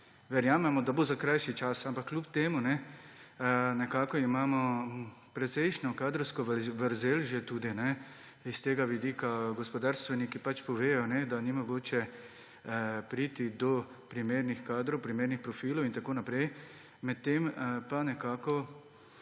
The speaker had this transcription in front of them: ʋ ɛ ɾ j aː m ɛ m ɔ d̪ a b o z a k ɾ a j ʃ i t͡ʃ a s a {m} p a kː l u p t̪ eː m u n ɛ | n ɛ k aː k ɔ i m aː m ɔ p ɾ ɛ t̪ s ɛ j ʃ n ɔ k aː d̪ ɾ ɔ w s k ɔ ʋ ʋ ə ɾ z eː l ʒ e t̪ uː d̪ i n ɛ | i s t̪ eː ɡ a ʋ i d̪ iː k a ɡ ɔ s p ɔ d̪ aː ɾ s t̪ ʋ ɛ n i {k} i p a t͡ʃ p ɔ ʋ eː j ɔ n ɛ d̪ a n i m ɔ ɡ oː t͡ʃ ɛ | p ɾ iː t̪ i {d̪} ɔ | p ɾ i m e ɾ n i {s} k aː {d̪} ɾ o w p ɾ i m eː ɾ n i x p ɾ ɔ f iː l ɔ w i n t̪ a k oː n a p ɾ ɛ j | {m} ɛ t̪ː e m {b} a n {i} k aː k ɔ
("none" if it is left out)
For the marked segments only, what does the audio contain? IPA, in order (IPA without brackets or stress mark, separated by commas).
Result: m, k, d̪, x, d̪, m, p, ɛ